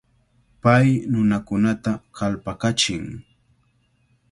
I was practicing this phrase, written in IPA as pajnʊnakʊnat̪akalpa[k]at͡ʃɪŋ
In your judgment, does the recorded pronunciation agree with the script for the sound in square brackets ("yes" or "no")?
yes